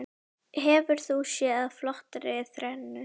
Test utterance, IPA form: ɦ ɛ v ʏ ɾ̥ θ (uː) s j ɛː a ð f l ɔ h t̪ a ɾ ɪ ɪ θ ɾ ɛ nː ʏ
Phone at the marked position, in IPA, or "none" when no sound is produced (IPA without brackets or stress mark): u